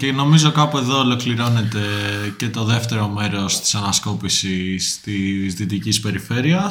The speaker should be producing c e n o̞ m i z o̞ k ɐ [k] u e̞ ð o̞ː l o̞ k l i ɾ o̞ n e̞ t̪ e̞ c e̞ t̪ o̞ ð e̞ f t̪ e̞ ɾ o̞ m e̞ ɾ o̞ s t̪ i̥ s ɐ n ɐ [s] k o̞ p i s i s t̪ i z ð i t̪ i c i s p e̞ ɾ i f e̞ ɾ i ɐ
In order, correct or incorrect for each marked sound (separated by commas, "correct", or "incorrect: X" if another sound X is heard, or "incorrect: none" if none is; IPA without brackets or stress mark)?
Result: incorrect: p, correct